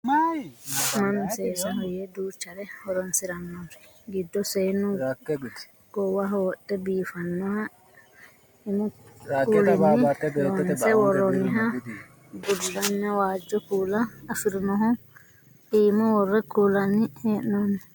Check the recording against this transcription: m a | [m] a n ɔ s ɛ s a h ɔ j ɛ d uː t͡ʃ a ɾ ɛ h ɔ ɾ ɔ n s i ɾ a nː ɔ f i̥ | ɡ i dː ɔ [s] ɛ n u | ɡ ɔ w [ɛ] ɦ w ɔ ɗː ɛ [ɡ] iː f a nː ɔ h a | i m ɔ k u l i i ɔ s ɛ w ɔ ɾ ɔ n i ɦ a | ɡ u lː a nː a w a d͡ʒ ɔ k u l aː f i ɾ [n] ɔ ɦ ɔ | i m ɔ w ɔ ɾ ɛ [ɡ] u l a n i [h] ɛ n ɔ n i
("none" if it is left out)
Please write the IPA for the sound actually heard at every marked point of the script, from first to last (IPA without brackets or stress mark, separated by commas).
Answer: m, s, a, b, n, k, h